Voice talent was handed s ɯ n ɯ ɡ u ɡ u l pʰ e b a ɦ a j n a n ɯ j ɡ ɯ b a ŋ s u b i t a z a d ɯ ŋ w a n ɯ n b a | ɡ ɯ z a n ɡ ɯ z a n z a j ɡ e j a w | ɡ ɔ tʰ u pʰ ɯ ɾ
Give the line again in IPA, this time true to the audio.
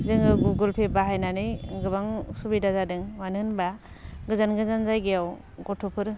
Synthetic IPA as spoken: z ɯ ŋ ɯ ɡ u ɡ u l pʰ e b a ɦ a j n a n ɯ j ɡ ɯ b a ŋ s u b i d a z a d ɯ ŋ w a n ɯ n b a | ɡ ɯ z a n ɡ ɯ z a n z a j ɡ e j a w | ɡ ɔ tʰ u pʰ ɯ ɾ